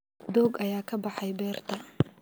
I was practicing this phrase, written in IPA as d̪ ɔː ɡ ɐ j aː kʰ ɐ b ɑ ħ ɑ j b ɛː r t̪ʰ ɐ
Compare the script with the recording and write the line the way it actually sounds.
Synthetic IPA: d̪ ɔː ɡ ɐ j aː kʰ ɐ b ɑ ħ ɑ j b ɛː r t̪ʰ ɐ